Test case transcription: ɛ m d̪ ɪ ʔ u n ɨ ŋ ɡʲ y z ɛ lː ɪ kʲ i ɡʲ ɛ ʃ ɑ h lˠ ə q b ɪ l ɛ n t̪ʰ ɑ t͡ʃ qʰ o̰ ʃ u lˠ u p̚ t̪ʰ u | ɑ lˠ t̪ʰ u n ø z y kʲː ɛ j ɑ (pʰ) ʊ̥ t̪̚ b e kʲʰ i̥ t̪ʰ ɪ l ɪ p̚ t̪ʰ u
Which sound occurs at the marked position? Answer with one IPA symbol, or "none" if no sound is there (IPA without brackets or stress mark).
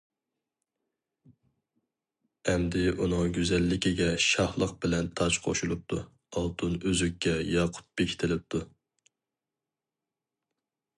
qʰ